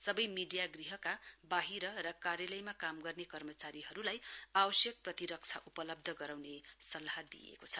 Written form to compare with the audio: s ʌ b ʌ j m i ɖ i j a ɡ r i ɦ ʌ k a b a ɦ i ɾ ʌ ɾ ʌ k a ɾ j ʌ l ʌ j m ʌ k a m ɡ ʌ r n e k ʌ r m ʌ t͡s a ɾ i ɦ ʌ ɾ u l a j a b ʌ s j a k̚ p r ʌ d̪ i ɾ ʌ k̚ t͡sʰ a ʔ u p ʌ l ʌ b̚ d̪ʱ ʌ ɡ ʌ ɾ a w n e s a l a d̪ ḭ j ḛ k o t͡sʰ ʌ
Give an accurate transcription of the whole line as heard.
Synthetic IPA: s ʌ b ʌ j m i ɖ i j a ɡ r i ɦ ʌ k a b a ɦ i ɾ ʌ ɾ ʌ k a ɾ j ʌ l ʌ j m a k a m ɡ ʌ r n e k ʌ r m ʌ t͡s a ɾ i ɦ ʌ ɾ u l a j a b ʌ s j ʌ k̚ p r ʌ t̪ i ɾ ʌ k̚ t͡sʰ a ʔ u p ʌ l ʌ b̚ d̪ʱ ʌ ɡ ʌ ɾ a w n e s ʌ l a d̪ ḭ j ḛ k o t͡sʰ ʌ

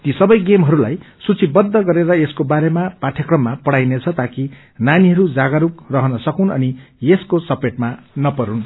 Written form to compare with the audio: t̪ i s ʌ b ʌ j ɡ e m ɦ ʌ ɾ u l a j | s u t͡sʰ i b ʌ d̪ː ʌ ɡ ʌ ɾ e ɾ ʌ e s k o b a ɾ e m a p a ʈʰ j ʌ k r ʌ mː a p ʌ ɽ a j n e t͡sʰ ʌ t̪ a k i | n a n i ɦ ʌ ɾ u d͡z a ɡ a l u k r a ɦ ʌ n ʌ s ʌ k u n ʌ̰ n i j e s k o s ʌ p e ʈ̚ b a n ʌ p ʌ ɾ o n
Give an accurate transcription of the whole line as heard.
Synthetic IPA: t̪ i s ʌ b ʌ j ɡ e m ɦ ʌ ɾ u l a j | s u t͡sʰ i b ʌ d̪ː ʌ ɡ ʌ ɾ e ɾ ʌ e s k o b a ɾ e m a p a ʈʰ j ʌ k r ʌ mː a p ʌ ɽ a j n e t͡sʰ ʌ t̪ a k i | n a n i ɦ ʌ ɾ u d͡z a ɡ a ɾ u k r ʌ ɦ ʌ n ʌ s ʌ k u n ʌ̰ n i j e s k o s ʌ p e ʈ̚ m a n ʌ p ʌ ɾ u n

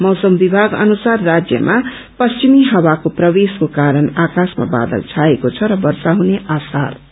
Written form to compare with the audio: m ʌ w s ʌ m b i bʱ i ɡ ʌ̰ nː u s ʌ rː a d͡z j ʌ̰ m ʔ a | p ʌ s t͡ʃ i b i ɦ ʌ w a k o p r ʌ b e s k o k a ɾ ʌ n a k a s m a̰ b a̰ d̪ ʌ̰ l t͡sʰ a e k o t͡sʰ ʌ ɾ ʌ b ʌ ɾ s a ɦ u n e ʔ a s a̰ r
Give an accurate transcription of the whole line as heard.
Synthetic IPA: m ʌ w s ʌ m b i bʱ a ɡ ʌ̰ n u s a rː a d͡z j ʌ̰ m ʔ a | p ʌ s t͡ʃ i m i ɦ ʌ w a k o p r ʌ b e s k o k a ɾ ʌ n a k a s m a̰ b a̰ d̪ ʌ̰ l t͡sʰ a e k o t͡sʰ ʌ ɾ ʌ b ʌ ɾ s a ɦ u n e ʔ a s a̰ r

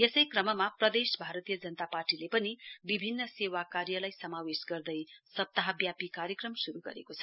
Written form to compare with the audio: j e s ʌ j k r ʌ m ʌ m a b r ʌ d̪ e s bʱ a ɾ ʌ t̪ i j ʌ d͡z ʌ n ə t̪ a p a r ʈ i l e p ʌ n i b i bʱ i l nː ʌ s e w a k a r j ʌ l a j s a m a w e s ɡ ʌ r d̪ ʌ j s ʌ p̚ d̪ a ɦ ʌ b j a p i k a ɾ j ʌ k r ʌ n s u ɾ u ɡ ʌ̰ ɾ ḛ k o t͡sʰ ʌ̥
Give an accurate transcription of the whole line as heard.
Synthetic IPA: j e s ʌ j k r ʌ m ʌ m a p r ʌ d̪ e s bʱ a ɾ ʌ t̪ i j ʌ d͡z ʌ n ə t̪ a p a r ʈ i l e p ʌ n i b i bʱ i nː ʌ s e w a k a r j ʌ l a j s ʌ m a w e s ɡ ʌ r d̪ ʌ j s ʌ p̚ t̪ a ɦ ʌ b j a p i k a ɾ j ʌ k r ʌ m s u ɾ u ɡ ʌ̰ ɾ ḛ k o t͡sʰ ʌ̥

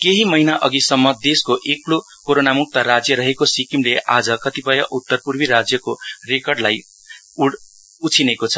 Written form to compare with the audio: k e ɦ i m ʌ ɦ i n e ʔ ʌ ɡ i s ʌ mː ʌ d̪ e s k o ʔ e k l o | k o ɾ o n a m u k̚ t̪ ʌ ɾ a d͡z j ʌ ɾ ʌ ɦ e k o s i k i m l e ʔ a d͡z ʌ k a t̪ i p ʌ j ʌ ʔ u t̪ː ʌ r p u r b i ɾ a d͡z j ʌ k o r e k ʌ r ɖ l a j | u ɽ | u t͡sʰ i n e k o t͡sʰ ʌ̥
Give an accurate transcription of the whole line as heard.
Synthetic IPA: k e ɦ i m ʌ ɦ i n a ʔ ʌ ɡ i s ʌ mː ʌ d̪ e s k o ʔ e k l o | k o ɾ o n a m u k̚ t̪ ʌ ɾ a d͡z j ʌ ɾ ʌ ɦ e k o s i k i m l e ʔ a d͡z ʌ k ʌ t̪ i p ʌ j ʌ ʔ u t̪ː ʌ r p u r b i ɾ a d͡z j ʌ k o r e k ʌ r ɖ l a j | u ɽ | u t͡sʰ i n e k o t͡sʰ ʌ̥

